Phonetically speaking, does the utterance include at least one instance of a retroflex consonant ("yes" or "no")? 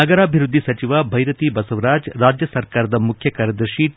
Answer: no